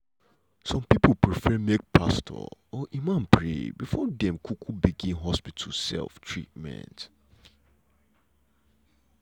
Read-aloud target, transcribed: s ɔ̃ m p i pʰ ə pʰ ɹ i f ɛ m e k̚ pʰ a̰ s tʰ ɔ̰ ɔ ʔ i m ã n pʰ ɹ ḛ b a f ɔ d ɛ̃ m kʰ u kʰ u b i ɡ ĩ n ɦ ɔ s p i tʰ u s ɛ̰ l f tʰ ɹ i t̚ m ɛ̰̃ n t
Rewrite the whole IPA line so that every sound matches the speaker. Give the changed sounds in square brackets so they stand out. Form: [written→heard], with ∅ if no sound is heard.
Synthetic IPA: s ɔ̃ m p i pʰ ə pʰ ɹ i f ɛ m e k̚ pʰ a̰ s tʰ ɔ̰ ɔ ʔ i m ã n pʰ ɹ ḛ b [a→i] f ɔ d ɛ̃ m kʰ u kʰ u b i ɡ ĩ n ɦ ɔ s p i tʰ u s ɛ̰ l f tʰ ɹ i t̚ m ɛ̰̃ n t